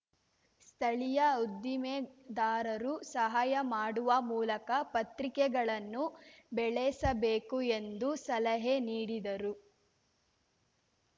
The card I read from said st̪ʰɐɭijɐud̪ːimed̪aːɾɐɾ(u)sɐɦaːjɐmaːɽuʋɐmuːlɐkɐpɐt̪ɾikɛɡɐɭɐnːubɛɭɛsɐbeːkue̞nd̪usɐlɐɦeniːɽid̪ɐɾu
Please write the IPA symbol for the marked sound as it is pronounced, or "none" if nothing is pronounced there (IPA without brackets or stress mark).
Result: u